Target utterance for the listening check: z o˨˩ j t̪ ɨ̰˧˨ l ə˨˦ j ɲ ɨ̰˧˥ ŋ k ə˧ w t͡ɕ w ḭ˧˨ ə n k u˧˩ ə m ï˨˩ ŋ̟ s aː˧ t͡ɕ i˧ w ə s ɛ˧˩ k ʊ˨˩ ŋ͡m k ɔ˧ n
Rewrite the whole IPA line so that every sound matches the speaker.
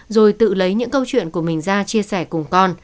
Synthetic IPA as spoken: z o˨˩ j t̪ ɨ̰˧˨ l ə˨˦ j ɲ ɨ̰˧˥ ŋ k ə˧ w t͡ɕ w ḭ˧˨ ə n k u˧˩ ə m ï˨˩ ŋ̟ z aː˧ t͡ɕ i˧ ə s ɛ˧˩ k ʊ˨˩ ŋ͡m k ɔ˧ n